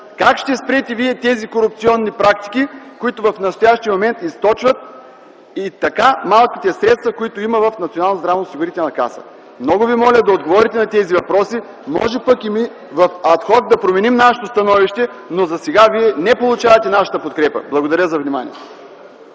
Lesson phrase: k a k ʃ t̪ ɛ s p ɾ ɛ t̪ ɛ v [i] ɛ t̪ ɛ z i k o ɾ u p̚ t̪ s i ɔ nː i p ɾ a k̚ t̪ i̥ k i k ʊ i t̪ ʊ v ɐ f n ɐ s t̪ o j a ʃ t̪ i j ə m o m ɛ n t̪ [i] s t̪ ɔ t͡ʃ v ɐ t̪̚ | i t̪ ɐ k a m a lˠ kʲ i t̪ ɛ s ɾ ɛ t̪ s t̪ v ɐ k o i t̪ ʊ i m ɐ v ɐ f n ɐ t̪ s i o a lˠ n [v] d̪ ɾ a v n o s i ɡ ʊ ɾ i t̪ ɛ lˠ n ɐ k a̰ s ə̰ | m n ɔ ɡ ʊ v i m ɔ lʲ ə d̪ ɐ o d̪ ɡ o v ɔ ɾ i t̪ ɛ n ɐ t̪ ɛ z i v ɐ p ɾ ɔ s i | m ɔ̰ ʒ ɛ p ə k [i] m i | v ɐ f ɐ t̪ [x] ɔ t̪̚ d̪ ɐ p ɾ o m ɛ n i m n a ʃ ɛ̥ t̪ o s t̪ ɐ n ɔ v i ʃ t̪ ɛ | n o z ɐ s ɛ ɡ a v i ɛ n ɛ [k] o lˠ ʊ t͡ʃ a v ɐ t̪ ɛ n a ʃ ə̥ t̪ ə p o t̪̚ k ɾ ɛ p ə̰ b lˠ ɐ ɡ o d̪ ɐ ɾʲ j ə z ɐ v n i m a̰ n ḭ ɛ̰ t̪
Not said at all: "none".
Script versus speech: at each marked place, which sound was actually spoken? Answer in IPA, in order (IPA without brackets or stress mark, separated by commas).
i, i, z, i, x, p